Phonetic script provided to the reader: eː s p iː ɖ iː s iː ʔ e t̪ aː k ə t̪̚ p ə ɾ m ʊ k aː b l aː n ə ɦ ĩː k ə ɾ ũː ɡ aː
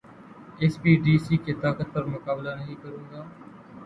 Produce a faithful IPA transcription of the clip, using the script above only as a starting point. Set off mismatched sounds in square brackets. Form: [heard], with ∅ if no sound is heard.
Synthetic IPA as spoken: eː s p iː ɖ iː s iː [k] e t̪ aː k ə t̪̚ p ə ɾ m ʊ k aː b l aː n ə ɦ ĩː k ə ɾ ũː ɡ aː